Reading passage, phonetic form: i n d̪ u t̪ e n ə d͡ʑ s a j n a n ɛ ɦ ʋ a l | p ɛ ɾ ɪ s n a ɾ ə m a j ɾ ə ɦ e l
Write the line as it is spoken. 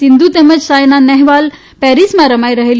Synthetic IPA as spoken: i n d̪ u t̪ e m ə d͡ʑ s a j n a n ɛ ɦ ʋ a l | p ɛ ɾ i s m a ɾ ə m a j ɾ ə ɦ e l